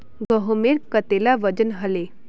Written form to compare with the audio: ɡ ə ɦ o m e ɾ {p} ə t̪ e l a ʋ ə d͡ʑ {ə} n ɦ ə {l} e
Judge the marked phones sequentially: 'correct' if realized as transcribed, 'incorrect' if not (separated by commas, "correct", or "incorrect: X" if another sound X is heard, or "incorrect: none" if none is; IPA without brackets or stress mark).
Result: incorrect: k, correct, correct